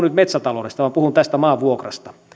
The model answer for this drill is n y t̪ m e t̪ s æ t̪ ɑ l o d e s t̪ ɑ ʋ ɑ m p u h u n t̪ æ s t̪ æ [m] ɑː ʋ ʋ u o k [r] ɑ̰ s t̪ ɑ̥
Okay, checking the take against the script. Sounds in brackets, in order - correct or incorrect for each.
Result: correct, correct

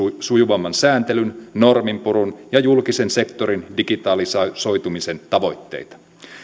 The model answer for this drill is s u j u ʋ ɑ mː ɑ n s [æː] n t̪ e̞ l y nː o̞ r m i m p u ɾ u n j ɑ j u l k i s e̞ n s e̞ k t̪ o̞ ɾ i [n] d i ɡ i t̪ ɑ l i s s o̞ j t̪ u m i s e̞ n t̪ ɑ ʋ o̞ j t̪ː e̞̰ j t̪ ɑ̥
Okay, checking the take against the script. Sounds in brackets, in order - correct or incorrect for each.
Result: correct, correct

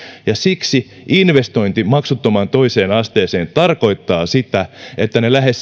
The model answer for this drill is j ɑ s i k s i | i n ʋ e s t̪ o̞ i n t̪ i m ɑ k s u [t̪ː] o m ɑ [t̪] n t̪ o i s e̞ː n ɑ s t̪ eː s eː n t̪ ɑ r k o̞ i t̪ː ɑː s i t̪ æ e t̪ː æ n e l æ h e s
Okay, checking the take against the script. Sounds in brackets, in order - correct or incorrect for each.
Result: correct, incorrect: none

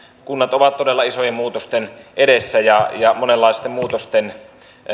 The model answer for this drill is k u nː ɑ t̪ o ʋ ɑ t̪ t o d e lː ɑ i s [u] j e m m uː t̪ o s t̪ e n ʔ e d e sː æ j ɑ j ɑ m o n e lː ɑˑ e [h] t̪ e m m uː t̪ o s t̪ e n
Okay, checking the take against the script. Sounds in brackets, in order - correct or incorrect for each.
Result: incorrect: o, incorrect: s

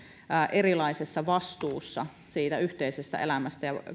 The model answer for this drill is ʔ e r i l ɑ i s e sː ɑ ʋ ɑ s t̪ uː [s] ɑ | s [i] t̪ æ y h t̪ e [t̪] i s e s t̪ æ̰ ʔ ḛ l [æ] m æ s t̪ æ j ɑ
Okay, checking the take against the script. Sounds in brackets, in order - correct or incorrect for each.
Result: incorrect: sː, incorrect: iː, incorrect: none, correct

